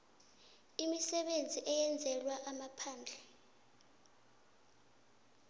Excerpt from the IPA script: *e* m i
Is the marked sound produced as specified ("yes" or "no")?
no